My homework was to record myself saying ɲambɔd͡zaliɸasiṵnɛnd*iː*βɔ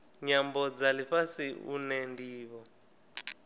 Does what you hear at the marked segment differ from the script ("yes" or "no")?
no